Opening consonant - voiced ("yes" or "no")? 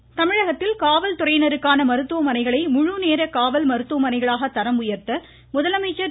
no